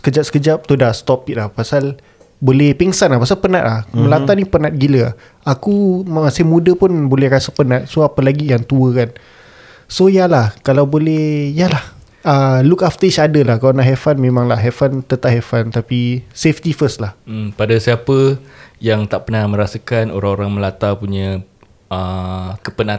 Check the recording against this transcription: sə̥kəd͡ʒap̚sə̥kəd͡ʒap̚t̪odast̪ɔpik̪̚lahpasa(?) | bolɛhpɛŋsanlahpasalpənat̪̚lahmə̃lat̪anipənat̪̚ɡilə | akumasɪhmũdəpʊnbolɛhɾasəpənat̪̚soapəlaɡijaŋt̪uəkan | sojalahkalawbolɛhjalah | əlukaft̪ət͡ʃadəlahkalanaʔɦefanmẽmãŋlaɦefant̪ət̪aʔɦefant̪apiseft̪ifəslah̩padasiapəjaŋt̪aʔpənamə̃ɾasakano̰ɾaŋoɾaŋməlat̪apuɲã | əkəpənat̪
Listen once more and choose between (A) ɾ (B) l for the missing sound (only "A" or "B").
B